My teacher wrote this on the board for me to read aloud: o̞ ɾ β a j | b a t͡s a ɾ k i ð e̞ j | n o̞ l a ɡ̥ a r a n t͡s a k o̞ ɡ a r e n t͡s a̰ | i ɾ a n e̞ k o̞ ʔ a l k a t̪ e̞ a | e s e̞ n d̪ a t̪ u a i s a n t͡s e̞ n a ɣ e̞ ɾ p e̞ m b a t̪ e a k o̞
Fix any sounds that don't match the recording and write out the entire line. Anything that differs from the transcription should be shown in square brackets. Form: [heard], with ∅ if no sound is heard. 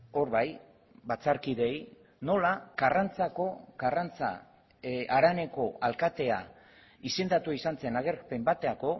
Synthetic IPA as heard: o̞ ɾ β a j | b a t͡s a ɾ k i ð e̞ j | n o̞ l a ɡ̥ a r a n t͡s a k o̞ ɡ a r [a] n t͡s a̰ | [a] ɾ a n e̞ k o̞ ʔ a l k a t̪ e̞ a | [i] s e̞ n d̪ a t̪ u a i s a n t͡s e̞ n a ɣ e̞ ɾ p e̞ m b a t̪ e a k o̞

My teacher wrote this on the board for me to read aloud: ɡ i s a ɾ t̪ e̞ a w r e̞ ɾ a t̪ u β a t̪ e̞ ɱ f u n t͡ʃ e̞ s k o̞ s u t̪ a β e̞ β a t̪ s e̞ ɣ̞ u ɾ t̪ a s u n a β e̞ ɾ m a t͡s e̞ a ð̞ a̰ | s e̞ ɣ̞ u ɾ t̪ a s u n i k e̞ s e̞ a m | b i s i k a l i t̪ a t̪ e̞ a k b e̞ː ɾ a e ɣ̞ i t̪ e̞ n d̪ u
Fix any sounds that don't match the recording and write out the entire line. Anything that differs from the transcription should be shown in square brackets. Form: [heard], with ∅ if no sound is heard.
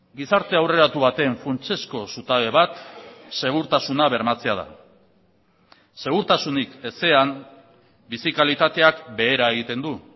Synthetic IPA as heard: ɡ i s a ɾ t̪ e̞ a w r e̞ ɾ a t̪ u β a t̪ e̞ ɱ f u n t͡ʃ e̞ s k o̞ s u t̪ a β e̞ β a t̪ s e̞ ɣ̞ u ɾ t̪ a s u n a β e̞ ɾ m a t͡s e̞ a ð̞ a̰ | s e̞ ɣ̞ u ɾ t̪ a s u n i k e̞ s e̞ a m | b i s i k a l i t̪ a t̪ e̞ a k b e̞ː ɾ a e ɣ̞ i t̪ e̞ n d̪ u

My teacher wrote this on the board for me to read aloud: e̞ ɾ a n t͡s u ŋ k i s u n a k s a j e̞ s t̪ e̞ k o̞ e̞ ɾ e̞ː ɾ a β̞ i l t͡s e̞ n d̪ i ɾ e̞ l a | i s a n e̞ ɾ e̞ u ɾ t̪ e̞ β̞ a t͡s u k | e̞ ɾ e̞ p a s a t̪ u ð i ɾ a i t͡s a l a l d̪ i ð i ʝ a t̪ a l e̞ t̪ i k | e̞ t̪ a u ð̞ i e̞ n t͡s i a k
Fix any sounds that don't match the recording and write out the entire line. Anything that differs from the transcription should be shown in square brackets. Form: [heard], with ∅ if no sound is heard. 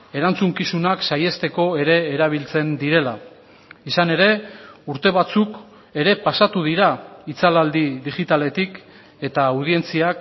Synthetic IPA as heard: e̞ ɾ a n t͡s u ŋ k i s u n a k s a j e̞ s t̪ e̞ k o̞ e̞ ɾ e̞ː ɾ a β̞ i l t͡s e̞ n d̪ i ɾ e̞ l a | i s a n e̞ ɾ e̞ u ɾ t̪ e̞ β̞ a t͡s u k | e̞ ɾ e̞ p a s a t̪ u ð i ɾ a i t͡s a l a l d̪ i ð i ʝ [i] t̪ a l e̞ t̪ i k | e̞ t̪ a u ð̞ i e̞ n t͡s i a k

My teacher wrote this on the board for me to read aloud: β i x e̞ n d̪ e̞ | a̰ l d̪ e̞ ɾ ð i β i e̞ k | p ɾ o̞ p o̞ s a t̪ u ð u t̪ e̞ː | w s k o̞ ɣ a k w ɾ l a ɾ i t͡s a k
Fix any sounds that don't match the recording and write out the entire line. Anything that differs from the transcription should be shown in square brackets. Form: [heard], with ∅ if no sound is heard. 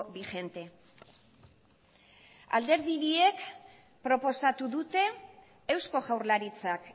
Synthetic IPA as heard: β i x e̞ n [t̪] e̞ | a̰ l d̪ e̞ ɾ ð i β i e̞ k | p ɾ o̞ p o̞ s a t̪ u ð u t̪ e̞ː | w s k o̞ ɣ a [∅] w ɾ l a ɾ i t͡s a k

